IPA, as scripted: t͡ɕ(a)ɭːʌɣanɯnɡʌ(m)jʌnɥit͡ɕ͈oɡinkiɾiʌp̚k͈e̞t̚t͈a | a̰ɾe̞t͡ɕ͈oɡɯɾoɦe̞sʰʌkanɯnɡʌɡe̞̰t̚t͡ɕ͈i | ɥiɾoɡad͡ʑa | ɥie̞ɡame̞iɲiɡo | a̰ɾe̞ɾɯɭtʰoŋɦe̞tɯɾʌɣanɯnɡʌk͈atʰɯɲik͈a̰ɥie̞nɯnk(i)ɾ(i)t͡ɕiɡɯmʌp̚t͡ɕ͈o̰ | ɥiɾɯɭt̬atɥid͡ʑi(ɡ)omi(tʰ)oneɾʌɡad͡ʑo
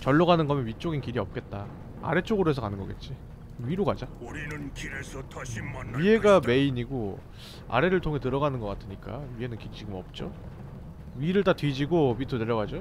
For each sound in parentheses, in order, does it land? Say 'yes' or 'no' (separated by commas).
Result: no, yes, yes, yes, yes, yes